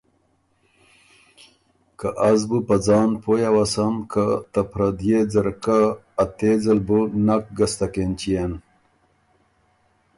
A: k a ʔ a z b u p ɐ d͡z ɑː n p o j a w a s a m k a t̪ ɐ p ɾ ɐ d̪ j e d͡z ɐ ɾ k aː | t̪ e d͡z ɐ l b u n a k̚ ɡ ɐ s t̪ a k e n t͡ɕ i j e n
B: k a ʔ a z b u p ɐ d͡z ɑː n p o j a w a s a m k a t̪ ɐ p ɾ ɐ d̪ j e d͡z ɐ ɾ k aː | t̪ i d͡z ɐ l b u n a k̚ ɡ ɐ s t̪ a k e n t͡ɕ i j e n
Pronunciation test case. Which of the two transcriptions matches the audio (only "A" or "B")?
A